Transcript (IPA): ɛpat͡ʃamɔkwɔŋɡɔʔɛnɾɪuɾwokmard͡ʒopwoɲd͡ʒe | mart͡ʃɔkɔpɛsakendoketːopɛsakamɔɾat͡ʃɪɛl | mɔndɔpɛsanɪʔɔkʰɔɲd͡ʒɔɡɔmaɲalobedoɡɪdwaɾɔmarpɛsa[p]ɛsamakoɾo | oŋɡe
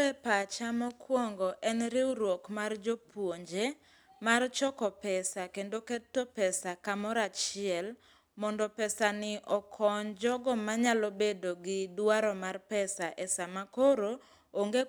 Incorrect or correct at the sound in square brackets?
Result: incorrect: ʔ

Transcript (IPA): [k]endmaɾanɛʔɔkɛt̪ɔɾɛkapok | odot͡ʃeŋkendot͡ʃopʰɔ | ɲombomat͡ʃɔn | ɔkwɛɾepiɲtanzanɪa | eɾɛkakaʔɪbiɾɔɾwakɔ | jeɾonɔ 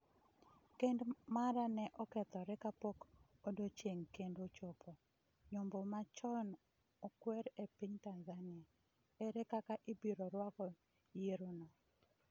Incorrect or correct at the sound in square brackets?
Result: correct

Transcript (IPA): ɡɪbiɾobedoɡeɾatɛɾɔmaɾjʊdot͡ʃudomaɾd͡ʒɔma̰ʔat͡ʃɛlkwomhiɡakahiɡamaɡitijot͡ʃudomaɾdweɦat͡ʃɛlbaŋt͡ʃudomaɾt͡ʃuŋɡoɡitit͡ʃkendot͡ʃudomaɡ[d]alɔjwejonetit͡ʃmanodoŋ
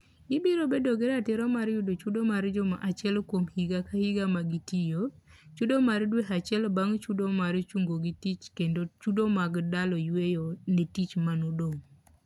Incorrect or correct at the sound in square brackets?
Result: correct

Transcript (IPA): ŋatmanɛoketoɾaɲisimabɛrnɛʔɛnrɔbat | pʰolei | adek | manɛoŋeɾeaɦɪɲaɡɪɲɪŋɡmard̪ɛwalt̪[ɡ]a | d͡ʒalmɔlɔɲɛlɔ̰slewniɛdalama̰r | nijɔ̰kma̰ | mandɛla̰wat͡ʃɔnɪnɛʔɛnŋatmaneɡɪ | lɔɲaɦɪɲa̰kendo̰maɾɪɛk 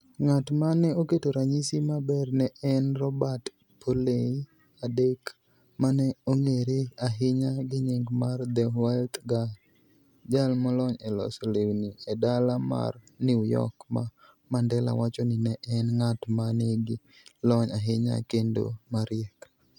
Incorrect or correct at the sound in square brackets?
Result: correct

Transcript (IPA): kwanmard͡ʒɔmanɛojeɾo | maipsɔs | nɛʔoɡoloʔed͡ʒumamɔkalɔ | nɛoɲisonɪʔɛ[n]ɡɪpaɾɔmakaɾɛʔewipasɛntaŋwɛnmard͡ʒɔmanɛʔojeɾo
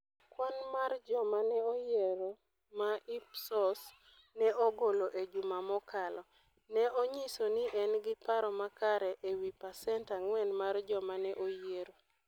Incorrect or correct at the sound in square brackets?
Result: correct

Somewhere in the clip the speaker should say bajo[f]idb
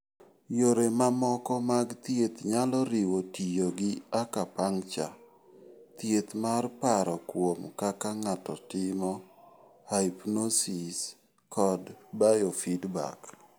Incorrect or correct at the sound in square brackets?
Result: correct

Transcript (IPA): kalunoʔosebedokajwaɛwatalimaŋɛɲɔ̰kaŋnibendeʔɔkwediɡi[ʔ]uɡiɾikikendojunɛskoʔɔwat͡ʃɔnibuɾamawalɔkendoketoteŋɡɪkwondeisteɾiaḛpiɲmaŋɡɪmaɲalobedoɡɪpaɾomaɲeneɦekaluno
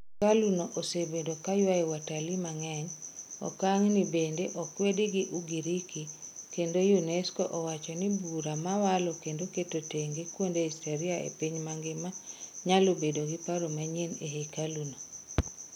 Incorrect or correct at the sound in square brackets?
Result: correct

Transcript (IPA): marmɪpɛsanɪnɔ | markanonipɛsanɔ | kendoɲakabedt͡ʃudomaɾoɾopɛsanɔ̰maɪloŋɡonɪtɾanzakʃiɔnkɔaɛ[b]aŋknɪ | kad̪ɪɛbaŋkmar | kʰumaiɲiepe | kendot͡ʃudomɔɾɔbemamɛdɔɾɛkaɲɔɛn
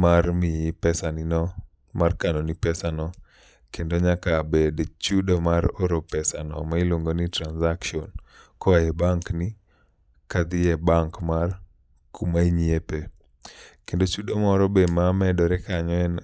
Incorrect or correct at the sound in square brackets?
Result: correct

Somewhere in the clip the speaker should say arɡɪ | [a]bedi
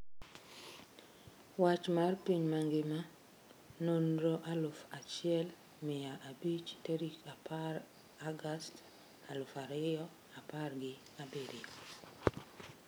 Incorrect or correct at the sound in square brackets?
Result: correct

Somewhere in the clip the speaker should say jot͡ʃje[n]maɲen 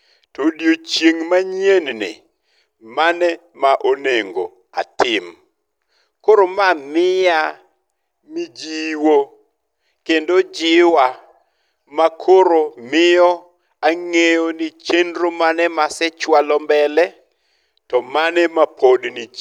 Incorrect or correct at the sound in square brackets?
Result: incorrect: ŋ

